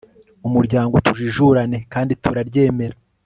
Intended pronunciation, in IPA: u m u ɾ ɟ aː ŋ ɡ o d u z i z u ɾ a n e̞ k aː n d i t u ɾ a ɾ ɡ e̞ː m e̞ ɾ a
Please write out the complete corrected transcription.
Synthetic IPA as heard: u m u ɾ ɟ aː ŋ ɡ o t u ʒ i ʒ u ɾ a n e̞ k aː n d i t u ɾ a ɾ ɟ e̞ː m e̞ ɾ a